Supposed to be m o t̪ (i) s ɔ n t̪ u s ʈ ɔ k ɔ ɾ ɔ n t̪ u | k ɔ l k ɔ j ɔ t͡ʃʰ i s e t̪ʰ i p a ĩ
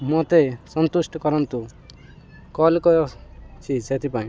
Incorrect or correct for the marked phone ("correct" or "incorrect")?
incorrect